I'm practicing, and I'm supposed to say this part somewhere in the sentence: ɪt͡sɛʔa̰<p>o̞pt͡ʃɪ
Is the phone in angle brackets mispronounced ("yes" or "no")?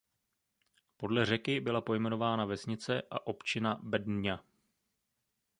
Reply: yes